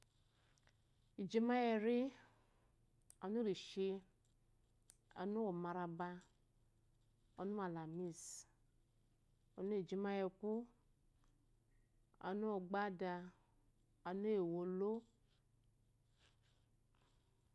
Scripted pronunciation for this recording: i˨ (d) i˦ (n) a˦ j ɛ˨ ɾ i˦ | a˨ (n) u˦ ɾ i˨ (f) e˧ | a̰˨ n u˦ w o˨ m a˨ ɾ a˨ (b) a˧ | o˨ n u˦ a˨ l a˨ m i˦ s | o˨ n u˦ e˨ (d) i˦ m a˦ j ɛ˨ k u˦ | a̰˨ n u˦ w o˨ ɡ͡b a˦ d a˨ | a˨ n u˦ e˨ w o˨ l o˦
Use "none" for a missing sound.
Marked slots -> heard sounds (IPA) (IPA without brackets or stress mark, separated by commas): d͡ʒ, m, n, ʃ, b, d͡ʒ